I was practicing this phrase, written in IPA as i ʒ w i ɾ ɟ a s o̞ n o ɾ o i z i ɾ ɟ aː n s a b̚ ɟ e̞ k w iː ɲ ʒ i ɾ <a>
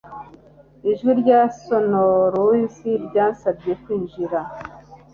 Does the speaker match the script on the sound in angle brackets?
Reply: yes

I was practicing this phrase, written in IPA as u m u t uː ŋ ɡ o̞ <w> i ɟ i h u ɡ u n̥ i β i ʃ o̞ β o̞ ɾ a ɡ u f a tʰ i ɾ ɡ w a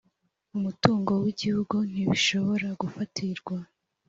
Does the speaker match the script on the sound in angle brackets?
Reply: yes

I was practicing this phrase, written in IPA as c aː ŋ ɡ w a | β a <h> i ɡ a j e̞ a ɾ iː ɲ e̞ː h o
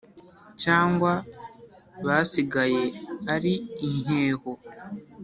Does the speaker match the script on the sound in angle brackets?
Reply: no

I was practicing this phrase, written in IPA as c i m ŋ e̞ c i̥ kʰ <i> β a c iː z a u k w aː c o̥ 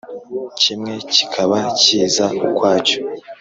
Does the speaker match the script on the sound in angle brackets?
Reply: no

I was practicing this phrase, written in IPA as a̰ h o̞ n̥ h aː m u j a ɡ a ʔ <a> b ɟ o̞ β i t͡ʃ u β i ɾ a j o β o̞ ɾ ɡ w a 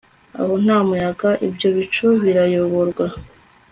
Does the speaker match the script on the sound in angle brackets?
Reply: no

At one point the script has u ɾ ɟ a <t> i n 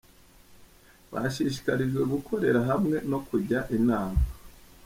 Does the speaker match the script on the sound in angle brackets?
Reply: no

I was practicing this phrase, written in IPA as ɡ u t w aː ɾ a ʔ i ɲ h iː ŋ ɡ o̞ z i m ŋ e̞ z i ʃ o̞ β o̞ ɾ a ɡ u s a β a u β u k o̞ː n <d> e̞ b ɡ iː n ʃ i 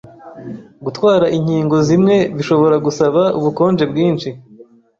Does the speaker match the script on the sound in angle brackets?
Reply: no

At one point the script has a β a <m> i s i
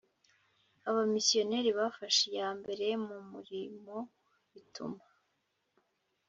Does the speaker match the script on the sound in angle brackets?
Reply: yes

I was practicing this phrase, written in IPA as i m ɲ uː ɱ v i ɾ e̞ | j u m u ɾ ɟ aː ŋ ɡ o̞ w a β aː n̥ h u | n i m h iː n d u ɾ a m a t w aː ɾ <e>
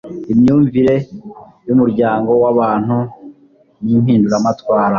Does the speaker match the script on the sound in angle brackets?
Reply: no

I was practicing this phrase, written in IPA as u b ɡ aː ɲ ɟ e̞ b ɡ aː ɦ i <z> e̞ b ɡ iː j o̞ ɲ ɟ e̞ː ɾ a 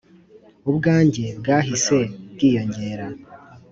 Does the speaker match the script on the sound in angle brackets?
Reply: no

